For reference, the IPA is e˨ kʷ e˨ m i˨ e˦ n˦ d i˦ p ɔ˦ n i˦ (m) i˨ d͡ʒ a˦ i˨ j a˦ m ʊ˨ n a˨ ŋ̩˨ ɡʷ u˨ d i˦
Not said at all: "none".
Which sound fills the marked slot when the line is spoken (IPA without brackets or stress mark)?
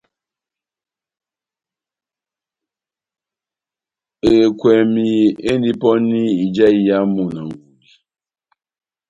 none